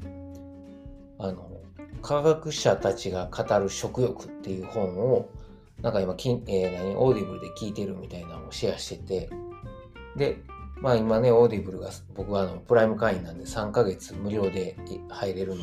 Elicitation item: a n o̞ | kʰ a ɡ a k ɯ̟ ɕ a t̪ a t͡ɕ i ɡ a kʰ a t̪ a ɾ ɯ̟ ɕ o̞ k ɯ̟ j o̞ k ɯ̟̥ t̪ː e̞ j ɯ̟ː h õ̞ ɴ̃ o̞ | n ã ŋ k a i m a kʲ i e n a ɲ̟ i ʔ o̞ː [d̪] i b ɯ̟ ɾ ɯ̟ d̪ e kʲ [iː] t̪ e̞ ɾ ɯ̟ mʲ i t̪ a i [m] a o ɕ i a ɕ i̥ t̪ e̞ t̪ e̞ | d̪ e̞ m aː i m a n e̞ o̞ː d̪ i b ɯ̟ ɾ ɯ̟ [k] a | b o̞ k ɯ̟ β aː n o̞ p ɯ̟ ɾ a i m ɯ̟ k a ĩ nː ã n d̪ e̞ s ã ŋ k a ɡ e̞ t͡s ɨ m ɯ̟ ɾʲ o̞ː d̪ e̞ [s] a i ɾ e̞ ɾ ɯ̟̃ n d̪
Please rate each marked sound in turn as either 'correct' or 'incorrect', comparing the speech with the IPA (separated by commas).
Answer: correct, correct, incorrect, incorrect, incorrect